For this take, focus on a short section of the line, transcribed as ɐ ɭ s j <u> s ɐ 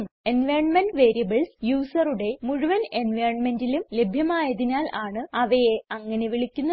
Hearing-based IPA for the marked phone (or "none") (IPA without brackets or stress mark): uː